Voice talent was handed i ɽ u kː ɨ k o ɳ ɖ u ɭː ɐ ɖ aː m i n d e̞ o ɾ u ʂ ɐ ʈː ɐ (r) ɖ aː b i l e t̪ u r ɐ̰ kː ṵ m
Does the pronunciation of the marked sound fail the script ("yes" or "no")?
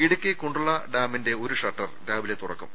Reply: no